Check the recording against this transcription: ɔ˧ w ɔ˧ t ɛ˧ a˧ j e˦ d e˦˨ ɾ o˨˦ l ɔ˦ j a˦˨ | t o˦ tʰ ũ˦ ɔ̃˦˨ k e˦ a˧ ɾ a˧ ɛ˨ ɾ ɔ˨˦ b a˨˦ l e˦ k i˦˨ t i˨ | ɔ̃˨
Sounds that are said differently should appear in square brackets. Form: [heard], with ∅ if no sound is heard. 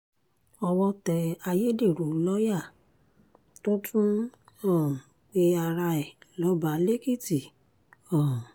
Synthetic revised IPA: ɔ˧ w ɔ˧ t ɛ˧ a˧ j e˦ d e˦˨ ɾ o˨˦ l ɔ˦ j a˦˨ | t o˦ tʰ ũ˦ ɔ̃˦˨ [k͡p] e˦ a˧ ɾ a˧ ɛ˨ [l] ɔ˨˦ b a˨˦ l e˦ k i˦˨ t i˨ | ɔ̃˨